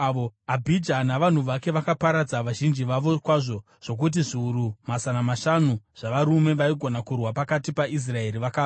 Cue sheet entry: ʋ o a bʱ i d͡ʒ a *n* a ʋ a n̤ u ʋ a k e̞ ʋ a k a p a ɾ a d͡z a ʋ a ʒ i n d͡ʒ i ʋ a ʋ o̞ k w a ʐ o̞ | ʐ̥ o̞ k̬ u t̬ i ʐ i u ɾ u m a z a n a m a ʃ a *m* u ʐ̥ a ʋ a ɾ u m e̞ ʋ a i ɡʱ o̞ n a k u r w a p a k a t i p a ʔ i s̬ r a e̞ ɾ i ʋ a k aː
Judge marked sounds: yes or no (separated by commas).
yes, no